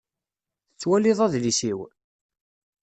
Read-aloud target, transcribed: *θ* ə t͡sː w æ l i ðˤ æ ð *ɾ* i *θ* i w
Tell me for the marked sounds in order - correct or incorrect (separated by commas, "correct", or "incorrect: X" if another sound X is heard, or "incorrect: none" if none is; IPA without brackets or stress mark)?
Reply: correct, incorrect: l, incorrect: s